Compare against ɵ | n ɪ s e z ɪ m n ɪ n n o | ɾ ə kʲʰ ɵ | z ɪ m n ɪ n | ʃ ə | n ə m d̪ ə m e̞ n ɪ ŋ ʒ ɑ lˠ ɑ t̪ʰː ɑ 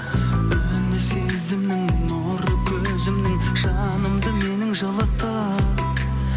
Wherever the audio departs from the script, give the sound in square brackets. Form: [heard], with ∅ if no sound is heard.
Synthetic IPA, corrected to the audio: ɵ | n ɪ s e z ɪ m n ɪ [ŋ] n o | ɾ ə kʲʰ ɵ | z ɪ m n ɪ [ŋ] | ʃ [ɑ] | n ə m d̪ ə m e̞ n ɪ ŋ ʒ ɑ lˠ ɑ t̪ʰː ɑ